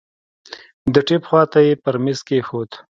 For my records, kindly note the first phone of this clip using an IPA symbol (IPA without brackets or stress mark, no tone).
d̪